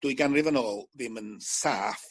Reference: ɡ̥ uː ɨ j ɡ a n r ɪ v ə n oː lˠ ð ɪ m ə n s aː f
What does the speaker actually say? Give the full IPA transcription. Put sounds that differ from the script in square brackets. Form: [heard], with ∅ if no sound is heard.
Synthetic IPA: [d̥] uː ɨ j ɡ a n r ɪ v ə n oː lˠ ð ɪ m ə n s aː f